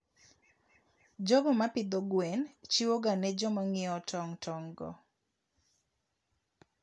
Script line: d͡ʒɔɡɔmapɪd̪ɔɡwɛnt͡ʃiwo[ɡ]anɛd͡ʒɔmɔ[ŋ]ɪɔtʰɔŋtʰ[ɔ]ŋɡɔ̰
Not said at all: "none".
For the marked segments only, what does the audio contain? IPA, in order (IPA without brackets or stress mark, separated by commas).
ɡ, ŋ, ɔ